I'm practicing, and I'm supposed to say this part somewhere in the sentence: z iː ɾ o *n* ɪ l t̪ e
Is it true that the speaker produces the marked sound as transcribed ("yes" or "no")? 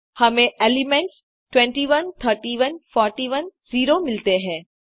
no